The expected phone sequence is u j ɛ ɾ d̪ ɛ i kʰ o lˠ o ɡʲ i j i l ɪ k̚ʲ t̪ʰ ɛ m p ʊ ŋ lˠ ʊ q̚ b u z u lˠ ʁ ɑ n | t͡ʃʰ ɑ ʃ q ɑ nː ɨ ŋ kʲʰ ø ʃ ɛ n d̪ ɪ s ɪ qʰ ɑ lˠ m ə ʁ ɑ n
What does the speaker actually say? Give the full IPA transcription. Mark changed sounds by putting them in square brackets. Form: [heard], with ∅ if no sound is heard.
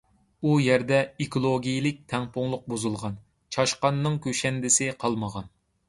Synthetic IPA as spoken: u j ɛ ɾ d̪ ɛ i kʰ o lˠ o ɡʲ i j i l ɪ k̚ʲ t̪ʰ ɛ [ŋ] p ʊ ŋ lˠ ʊ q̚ b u z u lˠ ʁ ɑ n | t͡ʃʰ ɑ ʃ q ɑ nː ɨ ŋ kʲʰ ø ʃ ɛ n d̪ ɪ s ɪ qʰ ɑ lˠ m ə ʁ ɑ n